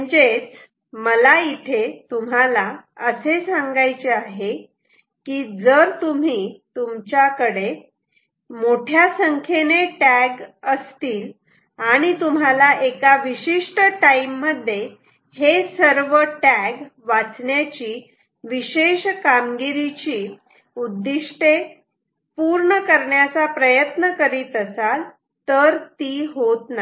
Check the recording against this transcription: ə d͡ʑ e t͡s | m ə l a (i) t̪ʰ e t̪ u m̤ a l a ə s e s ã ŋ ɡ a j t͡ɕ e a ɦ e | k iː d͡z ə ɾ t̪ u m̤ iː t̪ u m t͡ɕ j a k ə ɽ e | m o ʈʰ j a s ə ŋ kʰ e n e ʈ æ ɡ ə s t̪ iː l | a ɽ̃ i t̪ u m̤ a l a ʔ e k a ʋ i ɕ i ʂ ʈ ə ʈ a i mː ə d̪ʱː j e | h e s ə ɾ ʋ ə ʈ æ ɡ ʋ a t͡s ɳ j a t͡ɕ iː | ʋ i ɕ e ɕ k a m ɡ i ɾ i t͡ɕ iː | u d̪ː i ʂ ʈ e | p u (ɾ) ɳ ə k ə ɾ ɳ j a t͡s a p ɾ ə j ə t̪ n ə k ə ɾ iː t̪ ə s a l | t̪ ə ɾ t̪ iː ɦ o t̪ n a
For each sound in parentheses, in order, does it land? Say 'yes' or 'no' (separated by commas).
yes, yes